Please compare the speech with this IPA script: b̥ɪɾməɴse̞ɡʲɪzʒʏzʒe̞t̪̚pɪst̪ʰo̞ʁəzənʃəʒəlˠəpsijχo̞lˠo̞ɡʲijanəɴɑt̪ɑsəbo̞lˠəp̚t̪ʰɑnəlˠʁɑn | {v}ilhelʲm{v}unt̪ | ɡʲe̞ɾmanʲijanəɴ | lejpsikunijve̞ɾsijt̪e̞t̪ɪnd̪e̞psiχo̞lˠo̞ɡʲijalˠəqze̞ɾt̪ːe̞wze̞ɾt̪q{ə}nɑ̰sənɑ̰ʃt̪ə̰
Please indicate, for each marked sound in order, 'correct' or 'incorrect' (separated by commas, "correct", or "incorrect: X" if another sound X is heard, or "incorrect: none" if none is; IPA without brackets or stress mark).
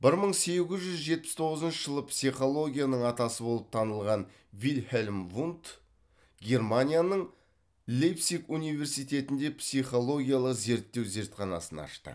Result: correct, correct, incorrect: ɑ